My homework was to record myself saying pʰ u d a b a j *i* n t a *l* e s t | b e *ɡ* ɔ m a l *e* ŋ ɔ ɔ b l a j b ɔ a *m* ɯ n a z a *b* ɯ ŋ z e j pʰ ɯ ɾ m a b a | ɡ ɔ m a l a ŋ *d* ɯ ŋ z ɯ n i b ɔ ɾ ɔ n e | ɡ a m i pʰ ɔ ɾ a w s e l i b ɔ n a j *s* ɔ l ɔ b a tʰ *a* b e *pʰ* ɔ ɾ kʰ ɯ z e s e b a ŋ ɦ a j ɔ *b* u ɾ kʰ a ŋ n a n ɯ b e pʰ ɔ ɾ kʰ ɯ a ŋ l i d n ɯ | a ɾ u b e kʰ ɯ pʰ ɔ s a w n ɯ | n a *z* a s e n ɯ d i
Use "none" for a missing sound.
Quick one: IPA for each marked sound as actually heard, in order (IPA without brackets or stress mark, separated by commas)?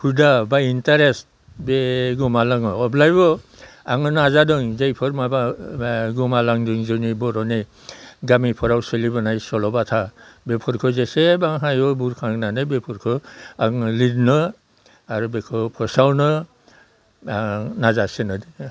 i, ɾ, ɡ, a, ŋ, d, d, s, a, pʰ, b, z